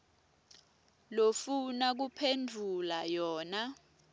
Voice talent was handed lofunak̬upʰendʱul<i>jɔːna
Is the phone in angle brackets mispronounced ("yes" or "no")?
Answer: yes